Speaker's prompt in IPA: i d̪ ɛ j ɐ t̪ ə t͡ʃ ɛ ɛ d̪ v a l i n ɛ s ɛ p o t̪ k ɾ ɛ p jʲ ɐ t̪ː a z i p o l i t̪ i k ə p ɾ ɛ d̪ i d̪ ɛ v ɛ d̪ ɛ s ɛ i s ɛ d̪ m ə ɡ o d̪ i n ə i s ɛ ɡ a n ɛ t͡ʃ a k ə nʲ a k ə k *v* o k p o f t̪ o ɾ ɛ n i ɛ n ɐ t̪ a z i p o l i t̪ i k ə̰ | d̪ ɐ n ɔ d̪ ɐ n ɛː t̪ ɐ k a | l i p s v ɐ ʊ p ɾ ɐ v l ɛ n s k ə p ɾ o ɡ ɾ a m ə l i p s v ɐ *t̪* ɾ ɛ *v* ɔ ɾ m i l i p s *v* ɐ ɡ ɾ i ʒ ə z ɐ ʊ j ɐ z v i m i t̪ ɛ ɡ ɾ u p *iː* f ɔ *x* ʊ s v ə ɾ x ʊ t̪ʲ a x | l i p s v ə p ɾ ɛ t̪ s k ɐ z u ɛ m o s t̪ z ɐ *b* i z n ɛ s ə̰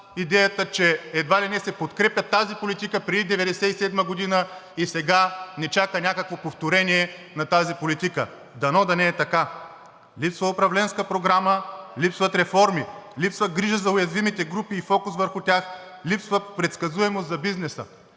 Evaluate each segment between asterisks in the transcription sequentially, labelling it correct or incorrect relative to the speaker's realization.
correct, correct, incorrect: f, correct, correct, incorrect: k, correct

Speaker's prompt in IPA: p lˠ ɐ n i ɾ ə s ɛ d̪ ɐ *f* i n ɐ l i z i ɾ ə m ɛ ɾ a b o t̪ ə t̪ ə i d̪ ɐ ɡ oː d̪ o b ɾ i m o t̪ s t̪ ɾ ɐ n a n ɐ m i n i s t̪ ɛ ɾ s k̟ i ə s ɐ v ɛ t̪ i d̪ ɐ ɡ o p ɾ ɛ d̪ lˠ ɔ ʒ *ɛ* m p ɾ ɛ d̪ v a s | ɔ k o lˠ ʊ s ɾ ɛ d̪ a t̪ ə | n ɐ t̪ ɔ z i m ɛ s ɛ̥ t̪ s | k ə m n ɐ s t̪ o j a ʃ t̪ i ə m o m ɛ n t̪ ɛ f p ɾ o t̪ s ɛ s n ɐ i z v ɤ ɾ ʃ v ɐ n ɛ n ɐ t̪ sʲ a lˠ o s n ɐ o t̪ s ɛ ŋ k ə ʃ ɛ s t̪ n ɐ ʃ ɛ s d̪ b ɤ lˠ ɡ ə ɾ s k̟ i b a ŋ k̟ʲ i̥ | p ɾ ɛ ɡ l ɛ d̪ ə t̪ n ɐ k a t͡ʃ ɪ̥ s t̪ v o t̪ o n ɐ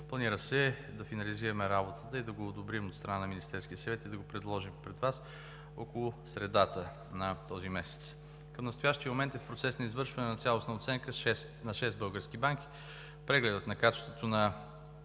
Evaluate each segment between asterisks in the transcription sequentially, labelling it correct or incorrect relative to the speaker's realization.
correct, incorrect: i

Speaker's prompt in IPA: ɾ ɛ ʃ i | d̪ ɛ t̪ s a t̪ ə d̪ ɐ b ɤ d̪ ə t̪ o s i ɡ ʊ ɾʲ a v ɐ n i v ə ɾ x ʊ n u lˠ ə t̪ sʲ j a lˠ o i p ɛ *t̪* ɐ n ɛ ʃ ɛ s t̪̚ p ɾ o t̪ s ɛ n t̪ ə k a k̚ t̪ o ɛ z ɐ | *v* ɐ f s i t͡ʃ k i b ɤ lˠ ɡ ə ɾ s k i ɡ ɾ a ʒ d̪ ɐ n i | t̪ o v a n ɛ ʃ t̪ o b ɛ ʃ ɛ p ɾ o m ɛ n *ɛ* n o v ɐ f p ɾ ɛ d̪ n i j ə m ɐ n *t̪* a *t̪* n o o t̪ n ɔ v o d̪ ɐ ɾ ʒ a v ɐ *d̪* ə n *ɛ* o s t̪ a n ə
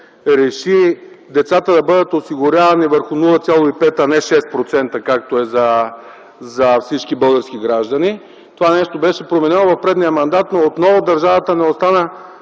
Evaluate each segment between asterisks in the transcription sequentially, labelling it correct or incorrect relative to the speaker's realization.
correct, incorrect: z, correct, incorrect: d̪, correct, incorrect: t̪, correct

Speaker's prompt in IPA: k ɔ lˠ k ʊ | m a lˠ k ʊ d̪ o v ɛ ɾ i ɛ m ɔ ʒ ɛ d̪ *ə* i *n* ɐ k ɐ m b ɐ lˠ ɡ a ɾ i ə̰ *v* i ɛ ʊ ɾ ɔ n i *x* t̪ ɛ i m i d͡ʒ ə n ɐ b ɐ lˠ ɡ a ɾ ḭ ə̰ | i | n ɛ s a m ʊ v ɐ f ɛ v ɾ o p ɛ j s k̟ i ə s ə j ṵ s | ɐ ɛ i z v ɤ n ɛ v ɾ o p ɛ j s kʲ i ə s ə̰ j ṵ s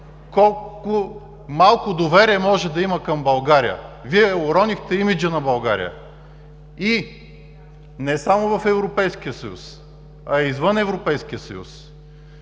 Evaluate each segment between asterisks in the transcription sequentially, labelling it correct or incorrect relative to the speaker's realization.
incorrect: ɐ, incorrect: m, correct, correct

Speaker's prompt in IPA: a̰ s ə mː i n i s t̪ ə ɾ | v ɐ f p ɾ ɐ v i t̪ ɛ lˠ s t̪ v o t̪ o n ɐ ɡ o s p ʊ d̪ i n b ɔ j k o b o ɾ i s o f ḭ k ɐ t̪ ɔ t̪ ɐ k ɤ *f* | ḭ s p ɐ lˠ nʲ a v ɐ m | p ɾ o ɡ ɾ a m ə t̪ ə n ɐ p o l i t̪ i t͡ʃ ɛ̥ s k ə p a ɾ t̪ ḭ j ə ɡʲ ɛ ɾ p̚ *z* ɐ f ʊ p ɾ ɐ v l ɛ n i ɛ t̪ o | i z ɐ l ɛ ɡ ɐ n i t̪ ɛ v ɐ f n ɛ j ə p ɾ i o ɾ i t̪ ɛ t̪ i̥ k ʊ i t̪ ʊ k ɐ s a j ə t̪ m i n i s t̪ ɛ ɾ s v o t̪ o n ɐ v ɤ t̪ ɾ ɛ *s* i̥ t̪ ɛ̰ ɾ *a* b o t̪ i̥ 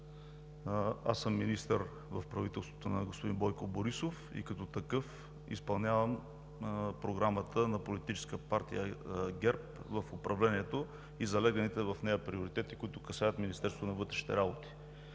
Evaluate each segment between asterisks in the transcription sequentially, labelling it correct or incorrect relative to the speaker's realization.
correct, incorrect: v, incorrect: ʃ, correct

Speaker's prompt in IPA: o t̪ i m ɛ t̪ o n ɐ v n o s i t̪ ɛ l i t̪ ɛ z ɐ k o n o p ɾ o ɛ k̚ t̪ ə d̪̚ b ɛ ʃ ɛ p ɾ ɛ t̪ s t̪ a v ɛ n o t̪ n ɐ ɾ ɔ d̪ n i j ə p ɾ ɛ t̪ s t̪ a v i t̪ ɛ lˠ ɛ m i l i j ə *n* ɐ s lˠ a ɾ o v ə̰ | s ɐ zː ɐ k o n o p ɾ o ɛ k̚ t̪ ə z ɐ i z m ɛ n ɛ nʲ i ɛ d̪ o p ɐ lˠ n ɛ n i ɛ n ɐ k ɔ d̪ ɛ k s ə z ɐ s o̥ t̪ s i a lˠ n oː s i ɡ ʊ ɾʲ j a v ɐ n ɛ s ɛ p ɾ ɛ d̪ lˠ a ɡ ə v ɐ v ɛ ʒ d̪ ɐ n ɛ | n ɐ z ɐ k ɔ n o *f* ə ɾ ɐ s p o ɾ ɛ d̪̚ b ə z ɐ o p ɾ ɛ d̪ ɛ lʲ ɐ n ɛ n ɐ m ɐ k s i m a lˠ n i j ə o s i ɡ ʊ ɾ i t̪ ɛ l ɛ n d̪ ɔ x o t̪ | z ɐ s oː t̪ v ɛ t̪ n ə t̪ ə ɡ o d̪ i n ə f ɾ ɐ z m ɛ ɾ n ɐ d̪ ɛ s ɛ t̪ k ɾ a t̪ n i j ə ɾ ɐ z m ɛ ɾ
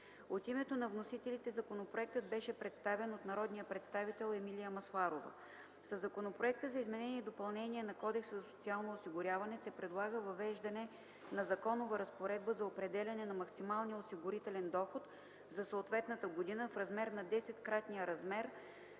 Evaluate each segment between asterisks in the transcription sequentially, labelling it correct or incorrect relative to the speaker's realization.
incorrect: m, incorrect: v

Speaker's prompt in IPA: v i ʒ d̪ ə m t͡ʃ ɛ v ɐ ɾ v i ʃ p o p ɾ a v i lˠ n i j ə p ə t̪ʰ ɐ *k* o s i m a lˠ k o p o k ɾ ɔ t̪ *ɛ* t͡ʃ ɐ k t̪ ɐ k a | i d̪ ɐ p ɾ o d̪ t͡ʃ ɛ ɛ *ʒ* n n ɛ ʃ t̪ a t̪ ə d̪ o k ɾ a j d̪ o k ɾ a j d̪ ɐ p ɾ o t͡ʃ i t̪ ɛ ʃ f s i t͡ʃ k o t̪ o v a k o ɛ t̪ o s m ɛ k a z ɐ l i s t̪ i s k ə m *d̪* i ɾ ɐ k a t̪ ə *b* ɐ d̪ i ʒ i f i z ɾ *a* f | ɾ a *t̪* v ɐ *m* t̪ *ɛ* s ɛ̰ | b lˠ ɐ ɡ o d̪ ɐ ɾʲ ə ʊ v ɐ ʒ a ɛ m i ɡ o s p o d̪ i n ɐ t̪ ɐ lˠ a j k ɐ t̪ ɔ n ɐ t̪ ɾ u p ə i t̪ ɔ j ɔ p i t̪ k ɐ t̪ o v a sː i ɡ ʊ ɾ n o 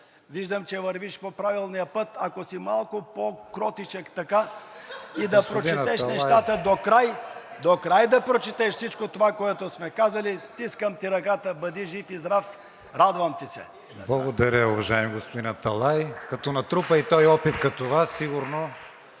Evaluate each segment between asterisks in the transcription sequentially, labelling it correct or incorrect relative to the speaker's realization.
correct, incorrect: i, incorrect: ʃ, incorrect: t̪, correct, correct, incorrect: d̪, correct, incorrect: i

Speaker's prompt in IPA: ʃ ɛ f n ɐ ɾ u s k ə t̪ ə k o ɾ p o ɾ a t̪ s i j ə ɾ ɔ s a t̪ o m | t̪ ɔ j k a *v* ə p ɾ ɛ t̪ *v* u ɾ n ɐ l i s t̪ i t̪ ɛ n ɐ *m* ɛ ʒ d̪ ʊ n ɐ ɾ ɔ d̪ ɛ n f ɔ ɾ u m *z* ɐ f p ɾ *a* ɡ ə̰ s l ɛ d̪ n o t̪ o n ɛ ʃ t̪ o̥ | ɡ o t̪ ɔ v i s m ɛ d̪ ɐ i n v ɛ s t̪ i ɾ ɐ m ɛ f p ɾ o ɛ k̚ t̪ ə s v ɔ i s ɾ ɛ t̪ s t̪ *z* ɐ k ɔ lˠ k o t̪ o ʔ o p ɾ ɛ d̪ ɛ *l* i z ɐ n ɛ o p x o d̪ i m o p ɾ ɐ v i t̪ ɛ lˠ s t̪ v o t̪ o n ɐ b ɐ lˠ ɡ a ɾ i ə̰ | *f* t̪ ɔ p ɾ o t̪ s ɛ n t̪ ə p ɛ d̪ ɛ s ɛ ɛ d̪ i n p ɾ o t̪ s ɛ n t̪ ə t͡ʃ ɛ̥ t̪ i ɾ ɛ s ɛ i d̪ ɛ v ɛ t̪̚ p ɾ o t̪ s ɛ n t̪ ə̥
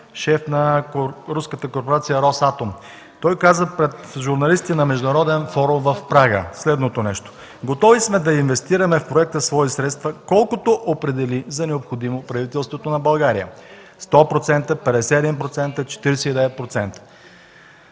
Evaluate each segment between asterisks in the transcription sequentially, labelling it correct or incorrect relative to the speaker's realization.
incorrect: z, incorrect: ʒ, correct, incorrect: v, correct, incorrect: v, correct, incorrect: s

